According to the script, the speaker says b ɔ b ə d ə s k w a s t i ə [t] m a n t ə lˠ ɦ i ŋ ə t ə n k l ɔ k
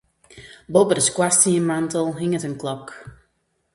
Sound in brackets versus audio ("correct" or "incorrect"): incorrect